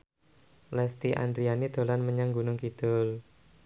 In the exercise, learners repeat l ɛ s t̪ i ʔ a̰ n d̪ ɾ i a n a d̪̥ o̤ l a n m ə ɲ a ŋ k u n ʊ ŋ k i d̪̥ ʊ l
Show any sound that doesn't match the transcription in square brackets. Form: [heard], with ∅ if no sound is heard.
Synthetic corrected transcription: l ɛ s t̪ i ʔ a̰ n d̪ ɾ i a n [i] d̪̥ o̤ l a n m ə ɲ a ŋ [ɡ] u n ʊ ŋ k i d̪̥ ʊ l